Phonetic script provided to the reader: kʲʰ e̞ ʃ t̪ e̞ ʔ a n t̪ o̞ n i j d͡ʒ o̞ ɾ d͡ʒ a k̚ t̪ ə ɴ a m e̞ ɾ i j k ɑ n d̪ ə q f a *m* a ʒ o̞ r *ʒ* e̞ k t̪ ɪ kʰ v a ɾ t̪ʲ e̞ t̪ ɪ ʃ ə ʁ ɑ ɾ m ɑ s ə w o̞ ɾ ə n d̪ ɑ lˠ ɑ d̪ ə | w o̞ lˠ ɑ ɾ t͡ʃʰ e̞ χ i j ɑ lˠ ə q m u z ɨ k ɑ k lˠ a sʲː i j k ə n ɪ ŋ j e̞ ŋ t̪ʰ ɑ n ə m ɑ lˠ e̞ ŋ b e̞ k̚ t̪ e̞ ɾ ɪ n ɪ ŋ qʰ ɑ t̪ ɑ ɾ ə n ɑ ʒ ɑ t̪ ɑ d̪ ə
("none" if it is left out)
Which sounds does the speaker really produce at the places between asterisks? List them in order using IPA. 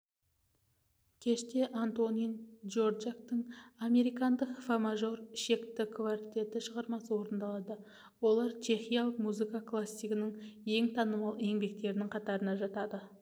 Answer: m, ʃ

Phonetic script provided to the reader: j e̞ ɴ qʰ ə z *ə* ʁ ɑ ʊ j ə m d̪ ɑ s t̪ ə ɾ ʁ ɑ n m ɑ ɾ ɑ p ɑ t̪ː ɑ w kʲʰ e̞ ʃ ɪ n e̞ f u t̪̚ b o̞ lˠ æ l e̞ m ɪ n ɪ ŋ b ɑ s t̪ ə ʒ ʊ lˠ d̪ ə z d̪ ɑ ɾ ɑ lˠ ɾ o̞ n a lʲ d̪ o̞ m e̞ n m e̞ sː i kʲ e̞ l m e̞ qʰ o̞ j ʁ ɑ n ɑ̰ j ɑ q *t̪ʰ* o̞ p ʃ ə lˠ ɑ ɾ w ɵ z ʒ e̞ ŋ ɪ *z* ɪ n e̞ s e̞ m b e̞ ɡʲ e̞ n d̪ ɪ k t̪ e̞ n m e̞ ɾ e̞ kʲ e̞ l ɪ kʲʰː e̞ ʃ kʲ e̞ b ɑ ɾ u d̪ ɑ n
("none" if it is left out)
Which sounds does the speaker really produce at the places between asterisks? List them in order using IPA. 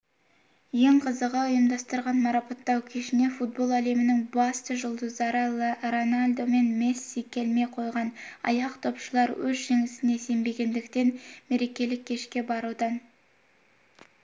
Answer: ə, t̪ʰ, s

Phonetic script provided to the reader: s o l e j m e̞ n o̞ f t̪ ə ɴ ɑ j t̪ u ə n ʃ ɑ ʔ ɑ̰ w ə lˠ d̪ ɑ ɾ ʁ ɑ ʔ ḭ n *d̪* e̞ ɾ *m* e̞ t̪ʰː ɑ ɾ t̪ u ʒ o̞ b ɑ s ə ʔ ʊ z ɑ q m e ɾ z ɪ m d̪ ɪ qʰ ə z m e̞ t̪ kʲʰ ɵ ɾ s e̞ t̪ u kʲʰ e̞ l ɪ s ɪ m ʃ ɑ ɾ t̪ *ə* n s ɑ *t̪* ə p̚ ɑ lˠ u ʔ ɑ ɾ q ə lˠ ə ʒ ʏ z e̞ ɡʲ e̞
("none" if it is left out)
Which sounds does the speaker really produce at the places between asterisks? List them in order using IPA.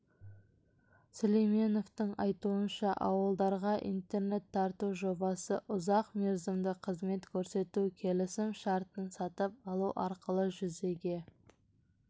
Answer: t̪, n, ə, t̪

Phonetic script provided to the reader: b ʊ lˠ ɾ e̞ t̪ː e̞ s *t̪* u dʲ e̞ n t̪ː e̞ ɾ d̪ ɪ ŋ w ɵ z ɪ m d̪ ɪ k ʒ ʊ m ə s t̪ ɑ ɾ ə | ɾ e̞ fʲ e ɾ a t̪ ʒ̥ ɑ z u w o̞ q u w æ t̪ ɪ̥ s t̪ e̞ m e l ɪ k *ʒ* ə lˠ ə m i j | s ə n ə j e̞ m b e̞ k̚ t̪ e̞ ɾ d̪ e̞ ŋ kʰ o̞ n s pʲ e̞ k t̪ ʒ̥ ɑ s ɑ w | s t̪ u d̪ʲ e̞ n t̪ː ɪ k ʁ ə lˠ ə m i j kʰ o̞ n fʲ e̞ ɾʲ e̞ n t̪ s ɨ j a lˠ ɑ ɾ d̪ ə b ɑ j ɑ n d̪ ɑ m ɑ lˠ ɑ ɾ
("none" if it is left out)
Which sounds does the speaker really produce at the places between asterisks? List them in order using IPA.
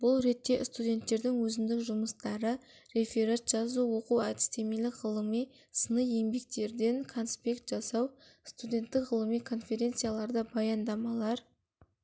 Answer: t̪, ʁ

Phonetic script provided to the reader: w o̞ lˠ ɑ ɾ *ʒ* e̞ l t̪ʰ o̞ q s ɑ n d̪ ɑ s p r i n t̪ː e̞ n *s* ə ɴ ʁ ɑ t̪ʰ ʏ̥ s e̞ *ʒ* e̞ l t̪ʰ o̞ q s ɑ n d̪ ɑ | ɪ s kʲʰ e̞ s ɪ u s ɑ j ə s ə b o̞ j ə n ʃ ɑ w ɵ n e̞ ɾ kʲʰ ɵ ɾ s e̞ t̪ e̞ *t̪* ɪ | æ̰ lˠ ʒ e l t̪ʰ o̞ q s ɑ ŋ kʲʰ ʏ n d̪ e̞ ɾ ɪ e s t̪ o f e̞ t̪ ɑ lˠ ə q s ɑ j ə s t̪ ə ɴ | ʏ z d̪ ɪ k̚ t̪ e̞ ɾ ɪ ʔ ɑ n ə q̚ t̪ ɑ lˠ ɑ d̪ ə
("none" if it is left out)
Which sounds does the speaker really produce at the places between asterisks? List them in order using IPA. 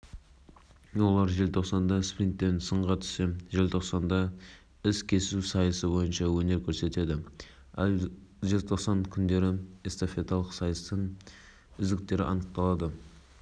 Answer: ʒ, s, ʒ, d̪

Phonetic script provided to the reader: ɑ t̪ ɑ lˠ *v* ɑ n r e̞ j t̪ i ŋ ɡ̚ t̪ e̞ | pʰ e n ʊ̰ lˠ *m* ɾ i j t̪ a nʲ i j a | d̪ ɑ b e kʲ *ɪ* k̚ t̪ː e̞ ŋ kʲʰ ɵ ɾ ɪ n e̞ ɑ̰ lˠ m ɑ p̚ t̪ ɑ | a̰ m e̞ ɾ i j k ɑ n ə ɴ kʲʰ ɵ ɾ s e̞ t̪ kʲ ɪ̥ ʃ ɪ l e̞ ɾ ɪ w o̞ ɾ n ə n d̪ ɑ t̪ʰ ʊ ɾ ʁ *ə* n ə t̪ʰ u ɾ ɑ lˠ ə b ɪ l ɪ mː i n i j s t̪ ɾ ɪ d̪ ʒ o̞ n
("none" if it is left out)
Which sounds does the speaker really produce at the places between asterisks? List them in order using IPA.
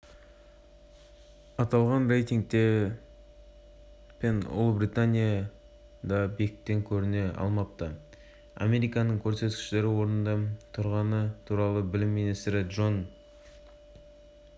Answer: ʁ, b, ɪ, ɑ

